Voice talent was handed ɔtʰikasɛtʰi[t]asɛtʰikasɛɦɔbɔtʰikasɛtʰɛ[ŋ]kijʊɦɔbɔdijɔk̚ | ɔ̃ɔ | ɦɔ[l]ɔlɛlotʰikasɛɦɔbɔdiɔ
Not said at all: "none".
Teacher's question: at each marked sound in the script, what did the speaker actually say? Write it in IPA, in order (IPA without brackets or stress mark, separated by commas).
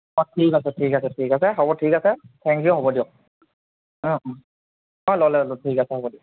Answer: k, ŋ, l